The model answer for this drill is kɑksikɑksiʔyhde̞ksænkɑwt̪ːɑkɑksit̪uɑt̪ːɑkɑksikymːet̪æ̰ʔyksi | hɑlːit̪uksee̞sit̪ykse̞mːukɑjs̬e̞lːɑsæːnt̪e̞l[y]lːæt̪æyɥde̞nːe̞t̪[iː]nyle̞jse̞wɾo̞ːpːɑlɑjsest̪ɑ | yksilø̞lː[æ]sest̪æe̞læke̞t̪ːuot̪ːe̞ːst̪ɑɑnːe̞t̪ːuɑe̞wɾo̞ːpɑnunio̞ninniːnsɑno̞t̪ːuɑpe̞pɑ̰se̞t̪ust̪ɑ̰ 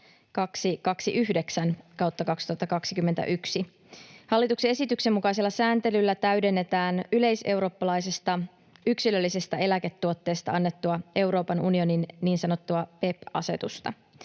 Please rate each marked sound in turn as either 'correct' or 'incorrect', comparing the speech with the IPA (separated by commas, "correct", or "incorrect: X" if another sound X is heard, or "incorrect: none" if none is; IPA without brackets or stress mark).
correct, incorrect: æː, incorrect: i